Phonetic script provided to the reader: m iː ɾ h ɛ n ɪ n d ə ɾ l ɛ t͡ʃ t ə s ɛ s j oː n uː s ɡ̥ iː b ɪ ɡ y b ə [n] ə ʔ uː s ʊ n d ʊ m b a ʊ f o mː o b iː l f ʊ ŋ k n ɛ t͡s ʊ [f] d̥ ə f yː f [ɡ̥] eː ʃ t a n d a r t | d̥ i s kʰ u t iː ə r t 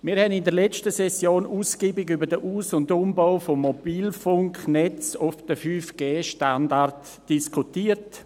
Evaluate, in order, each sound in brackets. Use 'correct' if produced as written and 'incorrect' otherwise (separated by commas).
incorrect, correct, correct